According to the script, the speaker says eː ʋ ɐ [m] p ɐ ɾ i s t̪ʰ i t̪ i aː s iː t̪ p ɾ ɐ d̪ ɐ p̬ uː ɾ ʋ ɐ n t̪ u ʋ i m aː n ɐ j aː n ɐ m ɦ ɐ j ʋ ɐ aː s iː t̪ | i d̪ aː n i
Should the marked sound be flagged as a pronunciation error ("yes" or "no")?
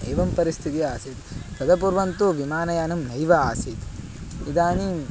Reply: no